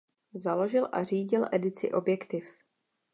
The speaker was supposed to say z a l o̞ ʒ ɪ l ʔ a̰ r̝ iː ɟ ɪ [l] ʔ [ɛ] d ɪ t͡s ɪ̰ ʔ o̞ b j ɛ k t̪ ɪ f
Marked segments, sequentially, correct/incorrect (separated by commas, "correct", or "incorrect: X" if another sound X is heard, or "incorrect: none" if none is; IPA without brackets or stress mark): correct, correct